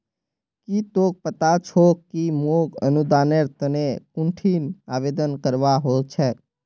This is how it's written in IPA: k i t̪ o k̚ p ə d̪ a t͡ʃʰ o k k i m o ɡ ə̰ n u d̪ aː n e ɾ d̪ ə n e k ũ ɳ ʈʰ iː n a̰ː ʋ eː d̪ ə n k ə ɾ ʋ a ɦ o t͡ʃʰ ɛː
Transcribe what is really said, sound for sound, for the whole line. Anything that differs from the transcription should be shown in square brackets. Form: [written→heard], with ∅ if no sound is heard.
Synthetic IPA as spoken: k i t̪ o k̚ p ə [d̪→t̪] a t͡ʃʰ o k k i m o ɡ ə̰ n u d̪ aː n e ɾ [d̪→t̪] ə n e k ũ ɳ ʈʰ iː n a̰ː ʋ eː d̪ ə n k ə ɾ ʋ a ɦ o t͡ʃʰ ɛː